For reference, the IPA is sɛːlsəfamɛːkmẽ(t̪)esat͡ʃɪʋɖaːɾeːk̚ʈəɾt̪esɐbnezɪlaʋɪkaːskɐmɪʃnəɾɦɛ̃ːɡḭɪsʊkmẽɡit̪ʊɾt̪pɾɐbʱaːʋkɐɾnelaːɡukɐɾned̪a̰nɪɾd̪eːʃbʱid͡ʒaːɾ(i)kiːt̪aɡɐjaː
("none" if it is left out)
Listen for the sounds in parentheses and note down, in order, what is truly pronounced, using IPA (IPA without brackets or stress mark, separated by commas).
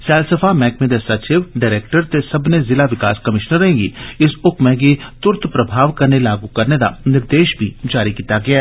d̪, i